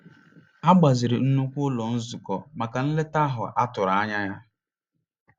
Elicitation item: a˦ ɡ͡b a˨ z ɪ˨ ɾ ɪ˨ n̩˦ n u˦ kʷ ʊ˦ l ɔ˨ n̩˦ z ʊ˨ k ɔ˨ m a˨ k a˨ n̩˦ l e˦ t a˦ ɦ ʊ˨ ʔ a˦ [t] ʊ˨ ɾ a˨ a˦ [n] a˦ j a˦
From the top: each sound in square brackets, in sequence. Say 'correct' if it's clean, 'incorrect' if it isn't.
correct, incorrect: ɲ

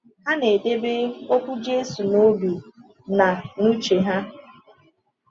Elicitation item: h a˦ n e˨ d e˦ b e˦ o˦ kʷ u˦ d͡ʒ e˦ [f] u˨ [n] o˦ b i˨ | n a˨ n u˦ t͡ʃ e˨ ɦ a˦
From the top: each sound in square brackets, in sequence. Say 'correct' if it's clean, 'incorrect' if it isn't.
incorrect: s, correct

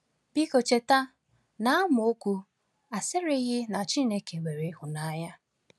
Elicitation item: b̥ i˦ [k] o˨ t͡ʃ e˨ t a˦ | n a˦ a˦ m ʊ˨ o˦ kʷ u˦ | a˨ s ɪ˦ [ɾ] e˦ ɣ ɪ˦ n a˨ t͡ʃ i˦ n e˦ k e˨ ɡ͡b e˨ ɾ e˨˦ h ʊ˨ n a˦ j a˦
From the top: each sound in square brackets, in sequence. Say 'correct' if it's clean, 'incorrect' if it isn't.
correct, correct

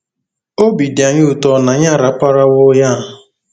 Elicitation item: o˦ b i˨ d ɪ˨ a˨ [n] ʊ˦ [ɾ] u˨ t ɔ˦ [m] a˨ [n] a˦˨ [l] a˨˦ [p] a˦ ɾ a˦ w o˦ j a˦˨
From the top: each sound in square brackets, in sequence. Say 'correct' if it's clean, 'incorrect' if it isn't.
incorrect: ɲ, incorrect: none, incorrect: n, incorrect: ɲ, incorrect: ɾ, correct

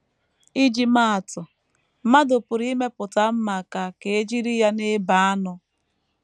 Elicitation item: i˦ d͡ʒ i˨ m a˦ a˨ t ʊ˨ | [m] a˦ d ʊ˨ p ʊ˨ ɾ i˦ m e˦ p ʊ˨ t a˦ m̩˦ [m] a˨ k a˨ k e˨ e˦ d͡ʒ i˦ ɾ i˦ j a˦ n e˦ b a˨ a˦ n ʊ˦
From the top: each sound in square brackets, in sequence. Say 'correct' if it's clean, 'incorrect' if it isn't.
correct, correct

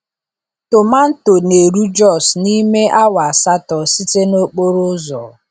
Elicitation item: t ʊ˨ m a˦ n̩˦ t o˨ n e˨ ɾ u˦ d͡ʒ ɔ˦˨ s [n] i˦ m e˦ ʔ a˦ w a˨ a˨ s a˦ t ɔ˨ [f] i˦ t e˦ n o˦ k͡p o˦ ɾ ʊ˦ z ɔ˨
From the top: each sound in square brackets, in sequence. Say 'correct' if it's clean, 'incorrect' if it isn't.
correct, incorrect: s

